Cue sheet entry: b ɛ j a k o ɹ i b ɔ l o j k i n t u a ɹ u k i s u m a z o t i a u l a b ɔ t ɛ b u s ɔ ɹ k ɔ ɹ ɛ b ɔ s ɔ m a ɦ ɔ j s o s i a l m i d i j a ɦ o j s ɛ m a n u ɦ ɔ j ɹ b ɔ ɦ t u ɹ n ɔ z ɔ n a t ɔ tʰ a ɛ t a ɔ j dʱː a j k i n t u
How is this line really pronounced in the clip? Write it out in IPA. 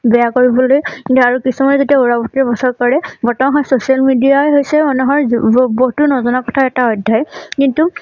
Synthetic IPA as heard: b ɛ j a k o ɹ i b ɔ l o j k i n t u a ɹ u k i s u m a z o t i a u ɹ a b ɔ t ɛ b ɔ s ɔ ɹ k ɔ ɹ ɛ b ɔ t ɔ m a ɦ ɔ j s o s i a l m i d i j a ɦ o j s ɛ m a n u ɦ ɔ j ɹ b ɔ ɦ t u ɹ n ɔ z ɔ n a k ɔ tʰ a ɛ t a ɔ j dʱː a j k i n t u